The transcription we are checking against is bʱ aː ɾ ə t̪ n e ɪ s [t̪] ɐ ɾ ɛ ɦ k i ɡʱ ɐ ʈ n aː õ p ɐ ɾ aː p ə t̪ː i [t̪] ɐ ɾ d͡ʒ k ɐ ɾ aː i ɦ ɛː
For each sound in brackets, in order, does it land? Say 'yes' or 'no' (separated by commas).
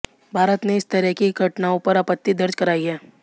yes, no